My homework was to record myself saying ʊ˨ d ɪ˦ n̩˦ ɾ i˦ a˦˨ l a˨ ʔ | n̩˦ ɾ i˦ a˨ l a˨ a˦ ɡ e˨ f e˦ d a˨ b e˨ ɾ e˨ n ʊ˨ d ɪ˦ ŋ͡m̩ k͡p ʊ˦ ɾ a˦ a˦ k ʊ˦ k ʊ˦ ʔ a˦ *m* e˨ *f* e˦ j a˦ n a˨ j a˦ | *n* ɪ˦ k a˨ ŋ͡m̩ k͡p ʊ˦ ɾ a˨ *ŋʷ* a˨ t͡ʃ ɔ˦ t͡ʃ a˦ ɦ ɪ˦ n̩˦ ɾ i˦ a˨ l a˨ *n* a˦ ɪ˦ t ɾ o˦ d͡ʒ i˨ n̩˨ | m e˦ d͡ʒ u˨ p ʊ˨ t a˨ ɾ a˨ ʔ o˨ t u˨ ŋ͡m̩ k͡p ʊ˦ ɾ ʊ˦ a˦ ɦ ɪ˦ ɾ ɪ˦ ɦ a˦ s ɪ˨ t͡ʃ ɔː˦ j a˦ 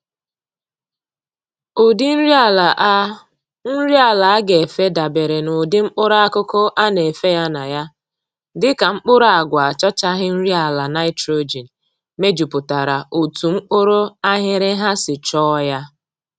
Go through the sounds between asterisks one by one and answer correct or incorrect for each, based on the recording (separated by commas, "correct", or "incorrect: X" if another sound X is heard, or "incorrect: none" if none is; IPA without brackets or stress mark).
incorrect: n, correct, incorrect: d, incorrect: ɡʷ, correct